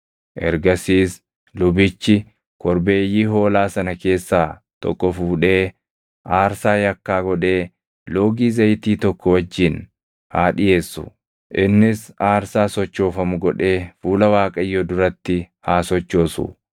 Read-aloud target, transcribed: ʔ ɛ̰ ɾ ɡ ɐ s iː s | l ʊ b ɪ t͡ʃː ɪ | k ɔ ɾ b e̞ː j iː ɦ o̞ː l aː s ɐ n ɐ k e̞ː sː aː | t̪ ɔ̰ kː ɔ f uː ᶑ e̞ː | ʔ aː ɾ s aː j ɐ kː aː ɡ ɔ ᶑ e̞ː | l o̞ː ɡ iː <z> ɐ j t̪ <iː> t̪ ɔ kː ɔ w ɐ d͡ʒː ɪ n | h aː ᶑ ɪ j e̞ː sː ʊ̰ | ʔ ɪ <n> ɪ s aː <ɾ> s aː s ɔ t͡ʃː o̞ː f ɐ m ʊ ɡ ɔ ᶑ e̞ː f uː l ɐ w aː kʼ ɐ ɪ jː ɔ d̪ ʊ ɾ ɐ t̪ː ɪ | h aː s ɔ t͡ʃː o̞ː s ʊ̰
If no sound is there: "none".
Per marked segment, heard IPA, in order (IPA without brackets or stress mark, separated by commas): z, iː, nː, ɾ